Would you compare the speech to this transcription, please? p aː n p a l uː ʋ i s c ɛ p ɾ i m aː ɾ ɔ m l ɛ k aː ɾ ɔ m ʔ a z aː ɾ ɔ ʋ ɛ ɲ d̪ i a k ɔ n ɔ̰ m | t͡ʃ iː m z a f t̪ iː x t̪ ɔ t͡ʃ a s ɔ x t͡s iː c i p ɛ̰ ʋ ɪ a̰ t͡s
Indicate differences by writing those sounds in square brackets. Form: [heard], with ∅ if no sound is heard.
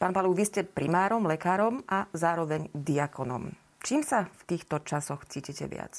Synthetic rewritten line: p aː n p a l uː ʋ i s c ɛ p ɾ i m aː ɾ ɔ m l ɛ k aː ɾ ɔ m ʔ a z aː ɾ ɔ ʋ ɛ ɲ d̪ i a k ɔ n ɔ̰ m | t͡ʃ iː m [s] a f t̪ iː x t̪ ɔ t͡ʃ a s ɔ x t͡s iː c i [c] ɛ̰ ʋ ɪ a̰ t͡s